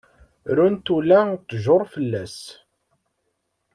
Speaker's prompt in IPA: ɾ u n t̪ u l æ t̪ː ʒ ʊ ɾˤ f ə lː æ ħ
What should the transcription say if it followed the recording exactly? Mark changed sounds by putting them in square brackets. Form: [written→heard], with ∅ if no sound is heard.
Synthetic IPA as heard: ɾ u n t̪ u l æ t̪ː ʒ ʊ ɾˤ f ə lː æ [ħ→s]